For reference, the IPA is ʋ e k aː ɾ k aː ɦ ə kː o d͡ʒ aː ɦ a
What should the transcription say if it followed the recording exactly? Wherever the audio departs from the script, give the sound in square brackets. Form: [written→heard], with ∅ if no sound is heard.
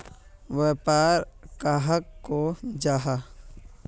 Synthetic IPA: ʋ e [k→p] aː ɾ k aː ɦ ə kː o d͡ʒ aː ɦ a